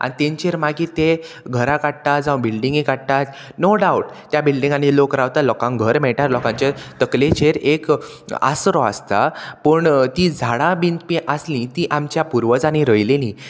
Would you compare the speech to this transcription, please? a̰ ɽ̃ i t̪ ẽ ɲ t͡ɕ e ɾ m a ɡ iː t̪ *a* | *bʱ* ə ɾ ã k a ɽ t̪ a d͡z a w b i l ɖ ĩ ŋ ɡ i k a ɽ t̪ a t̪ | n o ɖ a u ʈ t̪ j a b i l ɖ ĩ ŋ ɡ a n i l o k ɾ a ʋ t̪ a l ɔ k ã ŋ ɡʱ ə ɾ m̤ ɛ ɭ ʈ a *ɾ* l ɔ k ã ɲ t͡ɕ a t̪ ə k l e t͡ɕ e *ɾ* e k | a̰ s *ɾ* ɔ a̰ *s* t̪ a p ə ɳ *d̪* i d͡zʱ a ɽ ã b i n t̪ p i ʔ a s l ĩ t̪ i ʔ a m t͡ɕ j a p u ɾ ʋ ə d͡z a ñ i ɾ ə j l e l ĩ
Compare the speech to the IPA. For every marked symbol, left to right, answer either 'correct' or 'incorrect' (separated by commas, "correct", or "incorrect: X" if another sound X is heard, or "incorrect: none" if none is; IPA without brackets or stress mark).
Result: incorrect: e, incorrect: ɡʱ, correct, correct, correct, correct, incorrect: t̪